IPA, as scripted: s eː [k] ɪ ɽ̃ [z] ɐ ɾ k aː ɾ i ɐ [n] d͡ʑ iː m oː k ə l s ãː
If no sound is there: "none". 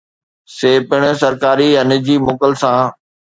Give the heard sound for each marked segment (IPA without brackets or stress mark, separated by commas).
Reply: p, s, n